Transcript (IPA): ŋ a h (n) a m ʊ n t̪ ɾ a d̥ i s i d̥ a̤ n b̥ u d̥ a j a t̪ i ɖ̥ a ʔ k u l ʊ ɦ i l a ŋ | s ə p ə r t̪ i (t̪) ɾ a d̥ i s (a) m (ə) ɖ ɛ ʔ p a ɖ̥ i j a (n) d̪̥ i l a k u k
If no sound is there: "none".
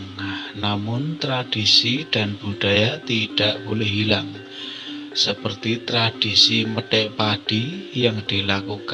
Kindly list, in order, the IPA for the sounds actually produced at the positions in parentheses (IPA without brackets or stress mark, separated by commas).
n, t̪, i, ə, ŋ